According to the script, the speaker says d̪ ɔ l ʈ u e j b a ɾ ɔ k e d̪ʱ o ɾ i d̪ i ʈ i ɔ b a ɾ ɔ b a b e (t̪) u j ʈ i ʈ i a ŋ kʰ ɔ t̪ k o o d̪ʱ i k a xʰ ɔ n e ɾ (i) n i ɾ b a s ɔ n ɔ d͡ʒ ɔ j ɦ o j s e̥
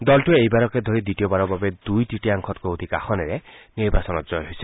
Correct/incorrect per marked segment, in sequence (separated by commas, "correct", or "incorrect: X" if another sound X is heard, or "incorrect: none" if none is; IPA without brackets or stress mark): incorrect: d̪, incorrect: e